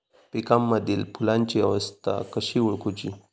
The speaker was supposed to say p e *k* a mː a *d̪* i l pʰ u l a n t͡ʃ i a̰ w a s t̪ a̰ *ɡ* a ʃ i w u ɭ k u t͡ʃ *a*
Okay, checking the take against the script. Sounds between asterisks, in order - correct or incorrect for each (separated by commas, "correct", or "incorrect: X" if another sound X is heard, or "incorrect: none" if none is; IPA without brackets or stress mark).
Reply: correct, correct, incorrect: k, incorrect: i